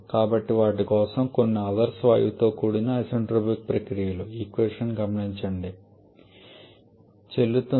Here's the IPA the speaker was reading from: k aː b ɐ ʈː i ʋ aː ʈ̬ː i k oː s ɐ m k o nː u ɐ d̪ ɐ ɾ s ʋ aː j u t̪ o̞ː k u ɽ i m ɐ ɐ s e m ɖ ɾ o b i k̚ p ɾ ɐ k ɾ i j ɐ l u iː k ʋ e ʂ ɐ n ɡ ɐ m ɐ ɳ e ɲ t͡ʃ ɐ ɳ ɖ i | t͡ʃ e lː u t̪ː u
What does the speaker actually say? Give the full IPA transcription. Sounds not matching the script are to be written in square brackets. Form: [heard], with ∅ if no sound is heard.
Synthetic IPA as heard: k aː b ɐ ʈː i ʋ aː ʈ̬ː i k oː s ɐ m k o nː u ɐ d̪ ɐ ɾ s ʋ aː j u t̪ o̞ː k u ɽ i [n] ɐ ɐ s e [ɳ] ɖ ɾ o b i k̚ p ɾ ɐ k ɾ i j ɐ l u iː k ʋ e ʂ ɐ n ɡ ɐ m ɐ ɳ [i] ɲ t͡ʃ ɐ ɳ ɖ i | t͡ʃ e lː u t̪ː u